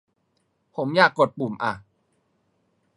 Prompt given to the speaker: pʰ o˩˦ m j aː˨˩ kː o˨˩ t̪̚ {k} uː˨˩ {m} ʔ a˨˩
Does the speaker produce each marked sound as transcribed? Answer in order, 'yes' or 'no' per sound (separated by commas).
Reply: no, yes